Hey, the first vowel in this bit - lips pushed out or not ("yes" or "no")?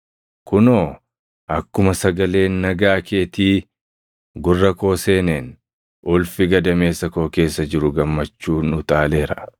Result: yes